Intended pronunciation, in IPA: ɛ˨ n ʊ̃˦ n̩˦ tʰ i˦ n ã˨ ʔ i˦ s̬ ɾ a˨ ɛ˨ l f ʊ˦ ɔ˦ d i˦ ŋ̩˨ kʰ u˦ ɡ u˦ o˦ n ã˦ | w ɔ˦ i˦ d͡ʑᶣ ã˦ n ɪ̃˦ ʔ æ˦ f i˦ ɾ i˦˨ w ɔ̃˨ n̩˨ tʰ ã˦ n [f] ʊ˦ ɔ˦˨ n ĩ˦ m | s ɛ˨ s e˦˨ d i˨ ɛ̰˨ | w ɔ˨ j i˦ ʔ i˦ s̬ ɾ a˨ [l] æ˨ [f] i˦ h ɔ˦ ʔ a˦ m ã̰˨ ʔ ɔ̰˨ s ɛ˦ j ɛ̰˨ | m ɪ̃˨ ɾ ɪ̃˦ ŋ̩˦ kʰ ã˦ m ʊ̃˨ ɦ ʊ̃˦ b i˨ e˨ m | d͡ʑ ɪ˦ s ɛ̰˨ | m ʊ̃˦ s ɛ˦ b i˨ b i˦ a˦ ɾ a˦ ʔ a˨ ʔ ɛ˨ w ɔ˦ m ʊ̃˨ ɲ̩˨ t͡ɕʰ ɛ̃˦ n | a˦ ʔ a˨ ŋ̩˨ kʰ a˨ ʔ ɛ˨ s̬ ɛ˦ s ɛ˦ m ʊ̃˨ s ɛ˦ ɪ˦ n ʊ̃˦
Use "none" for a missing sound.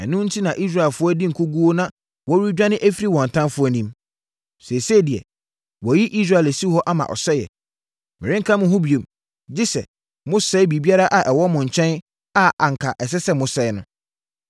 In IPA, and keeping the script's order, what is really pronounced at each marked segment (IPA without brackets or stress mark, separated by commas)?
f, l, s